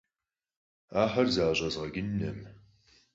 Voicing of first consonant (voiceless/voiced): voiceless